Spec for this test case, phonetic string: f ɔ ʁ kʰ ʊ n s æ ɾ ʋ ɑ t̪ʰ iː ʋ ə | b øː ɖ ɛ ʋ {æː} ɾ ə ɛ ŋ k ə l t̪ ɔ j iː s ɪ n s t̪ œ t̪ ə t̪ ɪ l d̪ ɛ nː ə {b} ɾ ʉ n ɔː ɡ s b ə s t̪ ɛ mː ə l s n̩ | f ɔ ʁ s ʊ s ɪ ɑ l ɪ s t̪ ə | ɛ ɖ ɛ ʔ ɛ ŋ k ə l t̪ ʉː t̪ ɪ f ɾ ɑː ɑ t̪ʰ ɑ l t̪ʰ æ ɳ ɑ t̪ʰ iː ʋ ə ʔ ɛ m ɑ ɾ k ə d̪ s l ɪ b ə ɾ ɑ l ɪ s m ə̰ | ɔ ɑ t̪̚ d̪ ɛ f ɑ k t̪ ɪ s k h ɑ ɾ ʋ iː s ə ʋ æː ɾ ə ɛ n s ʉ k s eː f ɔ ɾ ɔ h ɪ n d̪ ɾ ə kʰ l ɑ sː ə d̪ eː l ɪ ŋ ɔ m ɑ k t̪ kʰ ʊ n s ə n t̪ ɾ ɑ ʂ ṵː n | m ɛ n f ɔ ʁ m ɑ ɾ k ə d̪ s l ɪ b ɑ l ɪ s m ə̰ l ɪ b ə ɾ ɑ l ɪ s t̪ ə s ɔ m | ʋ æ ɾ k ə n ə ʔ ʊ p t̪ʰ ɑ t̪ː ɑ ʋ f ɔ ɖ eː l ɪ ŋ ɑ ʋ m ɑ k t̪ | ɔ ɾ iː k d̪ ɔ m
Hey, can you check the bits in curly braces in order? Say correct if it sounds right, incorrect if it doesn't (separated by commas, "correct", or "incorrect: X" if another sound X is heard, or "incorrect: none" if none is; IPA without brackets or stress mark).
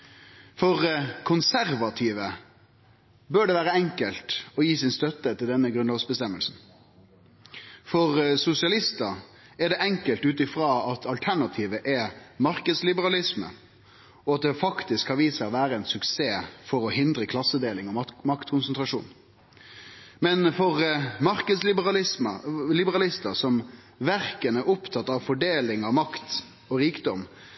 correct, incorrect: ɡ